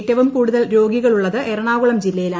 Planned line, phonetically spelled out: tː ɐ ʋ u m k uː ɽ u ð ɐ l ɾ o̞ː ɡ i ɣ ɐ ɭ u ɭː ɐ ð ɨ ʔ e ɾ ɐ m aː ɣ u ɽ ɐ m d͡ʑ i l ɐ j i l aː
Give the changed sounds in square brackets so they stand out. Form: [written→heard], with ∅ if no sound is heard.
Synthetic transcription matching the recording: tː ɐ ʋ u m k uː ɽ u ð ɐ l ɾ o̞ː ɡ i ɣ ɐ ɭ u ɭː ɐ ð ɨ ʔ e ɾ ɐ [m→ɳ] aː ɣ u [ɽ→ɭ] ɐ m d͡ʑ i [l→lː] ɐ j i l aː